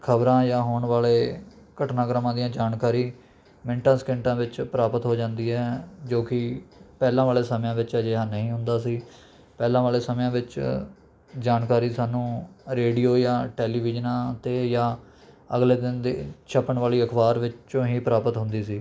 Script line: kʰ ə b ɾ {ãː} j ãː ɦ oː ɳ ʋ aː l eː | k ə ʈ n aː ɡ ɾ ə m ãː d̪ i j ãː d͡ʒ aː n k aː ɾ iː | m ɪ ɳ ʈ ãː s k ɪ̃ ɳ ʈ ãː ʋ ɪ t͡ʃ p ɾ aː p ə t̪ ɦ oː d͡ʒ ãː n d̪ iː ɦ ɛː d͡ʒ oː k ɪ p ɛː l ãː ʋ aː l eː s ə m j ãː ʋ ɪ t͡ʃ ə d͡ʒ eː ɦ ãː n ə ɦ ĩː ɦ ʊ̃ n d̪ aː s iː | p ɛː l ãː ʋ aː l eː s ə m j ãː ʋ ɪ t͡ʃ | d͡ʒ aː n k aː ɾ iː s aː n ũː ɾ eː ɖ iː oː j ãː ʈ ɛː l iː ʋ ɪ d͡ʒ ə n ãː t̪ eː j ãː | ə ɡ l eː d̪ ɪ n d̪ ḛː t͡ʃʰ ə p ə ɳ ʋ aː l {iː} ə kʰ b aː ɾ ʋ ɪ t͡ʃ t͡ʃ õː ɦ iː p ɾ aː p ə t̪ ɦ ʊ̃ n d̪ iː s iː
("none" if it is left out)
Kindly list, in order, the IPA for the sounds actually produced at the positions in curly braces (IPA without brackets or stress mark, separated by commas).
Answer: ãː, iː